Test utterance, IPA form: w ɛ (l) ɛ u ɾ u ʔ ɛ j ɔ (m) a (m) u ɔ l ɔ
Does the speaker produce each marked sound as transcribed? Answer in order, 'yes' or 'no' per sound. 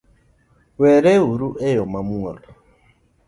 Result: no, yes, yes

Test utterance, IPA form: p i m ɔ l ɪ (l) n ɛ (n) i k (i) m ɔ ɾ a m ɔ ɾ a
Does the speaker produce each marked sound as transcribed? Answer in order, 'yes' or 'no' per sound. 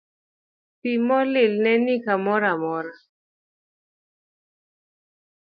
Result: yes, yes, no

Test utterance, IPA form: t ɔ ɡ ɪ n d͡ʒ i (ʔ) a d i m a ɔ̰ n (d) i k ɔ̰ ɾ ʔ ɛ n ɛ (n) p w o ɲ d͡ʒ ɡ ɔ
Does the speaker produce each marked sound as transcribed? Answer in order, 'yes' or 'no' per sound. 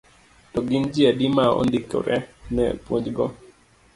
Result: no, yes, no

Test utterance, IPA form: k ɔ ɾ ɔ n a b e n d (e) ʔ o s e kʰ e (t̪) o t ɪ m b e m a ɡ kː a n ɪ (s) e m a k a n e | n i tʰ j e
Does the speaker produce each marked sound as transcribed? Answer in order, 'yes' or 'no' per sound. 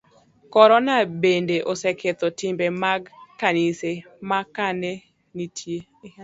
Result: yes, yes, yes

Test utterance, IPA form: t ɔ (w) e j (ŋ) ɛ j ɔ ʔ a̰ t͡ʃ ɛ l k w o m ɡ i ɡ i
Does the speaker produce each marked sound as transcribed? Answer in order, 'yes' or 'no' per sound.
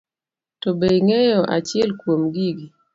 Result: no, yes

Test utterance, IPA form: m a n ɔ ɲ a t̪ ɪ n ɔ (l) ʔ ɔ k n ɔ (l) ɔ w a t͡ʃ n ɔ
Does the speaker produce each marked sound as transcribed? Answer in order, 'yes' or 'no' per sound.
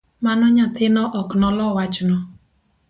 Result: no, yes

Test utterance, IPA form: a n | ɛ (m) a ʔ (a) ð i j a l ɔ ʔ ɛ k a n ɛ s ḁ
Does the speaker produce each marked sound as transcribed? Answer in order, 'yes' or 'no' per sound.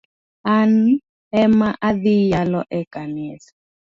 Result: yes, yes

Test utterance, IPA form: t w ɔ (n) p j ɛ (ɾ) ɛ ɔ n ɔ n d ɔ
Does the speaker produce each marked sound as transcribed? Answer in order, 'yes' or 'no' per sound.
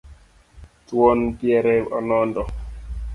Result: yes, yes

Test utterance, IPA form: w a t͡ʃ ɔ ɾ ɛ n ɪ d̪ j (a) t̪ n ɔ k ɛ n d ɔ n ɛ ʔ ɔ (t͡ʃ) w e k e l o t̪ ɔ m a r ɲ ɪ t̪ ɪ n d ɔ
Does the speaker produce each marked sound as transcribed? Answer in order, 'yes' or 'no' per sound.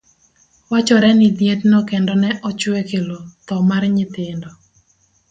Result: no, yes

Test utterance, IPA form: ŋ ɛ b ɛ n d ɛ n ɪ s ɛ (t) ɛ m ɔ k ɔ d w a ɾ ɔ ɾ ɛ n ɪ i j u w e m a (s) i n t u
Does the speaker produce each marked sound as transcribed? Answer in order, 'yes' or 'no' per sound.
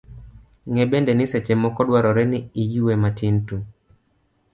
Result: no, no

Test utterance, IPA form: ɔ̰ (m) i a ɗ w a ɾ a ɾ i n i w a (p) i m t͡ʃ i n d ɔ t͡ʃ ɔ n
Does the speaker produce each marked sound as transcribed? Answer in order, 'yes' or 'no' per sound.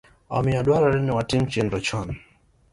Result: yes, no

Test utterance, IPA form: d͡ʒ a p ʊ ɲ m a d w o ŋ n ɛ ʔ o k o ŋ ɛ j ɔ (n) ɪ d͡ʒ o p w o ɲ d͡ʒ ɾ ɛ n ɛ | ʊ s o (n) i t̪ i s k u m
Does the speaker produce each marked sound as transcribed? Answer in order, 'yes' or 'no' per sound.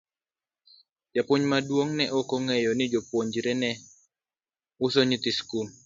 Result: yes, no

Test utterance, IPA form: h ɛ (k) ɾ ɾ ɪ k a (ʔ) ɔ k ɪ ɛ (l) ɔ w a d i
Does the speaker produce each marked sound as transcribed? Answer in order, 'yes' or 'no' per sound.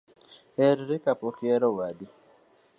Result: no, no, no

